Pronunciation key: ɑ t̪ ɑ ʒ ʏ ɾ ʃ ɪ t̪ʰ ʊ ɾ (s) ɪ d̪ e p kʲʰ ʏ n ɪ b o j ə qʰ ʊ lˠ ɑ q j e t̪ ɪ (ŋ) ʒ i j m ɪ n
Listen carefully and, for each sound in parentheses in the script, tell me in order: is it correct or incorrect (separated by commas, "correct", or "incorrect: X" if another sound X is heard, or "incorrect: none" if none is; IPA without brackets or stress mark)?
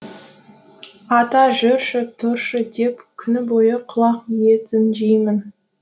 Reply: incorrect: ʃ, incorrect: n